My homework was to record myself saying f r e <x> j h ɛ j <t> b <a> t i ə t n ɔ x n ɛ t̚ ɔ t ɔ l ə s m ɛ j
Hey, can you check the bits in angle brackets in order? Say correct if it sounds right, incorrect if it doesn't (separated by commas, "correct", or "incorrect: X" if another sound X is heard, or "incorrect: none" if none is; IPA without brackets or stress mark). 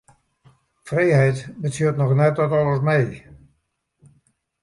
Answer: incorrect: none, correct, incorrect: ə